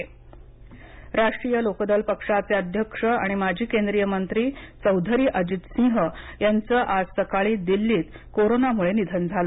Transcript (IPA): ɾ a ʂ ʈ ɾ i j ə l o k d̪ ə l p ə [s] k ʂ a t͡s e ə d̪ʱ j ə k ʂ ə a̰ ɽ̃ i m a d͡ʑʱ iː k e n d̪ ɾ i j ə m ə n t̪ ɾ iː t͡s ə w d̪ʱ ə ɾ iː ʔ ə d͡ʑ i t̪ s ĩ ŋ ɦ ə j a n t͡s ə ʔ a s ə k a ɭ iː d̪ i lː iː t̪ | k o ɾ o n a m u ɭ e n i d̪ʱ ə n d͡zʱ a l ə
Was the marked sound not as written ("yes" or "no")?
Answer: yes